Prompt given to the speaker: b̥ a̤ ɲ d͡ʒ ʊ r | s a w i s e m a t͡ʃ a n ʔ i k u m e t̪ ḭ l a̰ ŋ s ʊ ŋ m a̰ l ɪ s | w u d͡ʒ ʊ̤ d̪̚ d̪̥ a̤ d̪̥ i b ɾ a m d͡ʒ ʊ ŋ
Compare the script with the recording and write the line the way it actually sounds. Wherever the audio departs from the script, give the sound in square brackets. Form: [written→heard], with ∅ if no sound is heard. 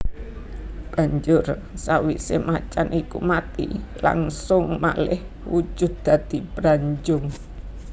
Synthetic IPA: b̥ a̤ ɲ d͡ʒ ʊ r | s a w i s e m a t͡ʃ a n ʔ i k u m [e→a] t̪ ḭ l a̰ ŋ s ʊ ŋ m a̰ l ɪ [s→h] | w u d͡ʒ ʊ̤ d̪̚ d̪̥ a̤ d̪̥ i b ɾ a [m→ɲ] d͡ʒ ʊ ŋ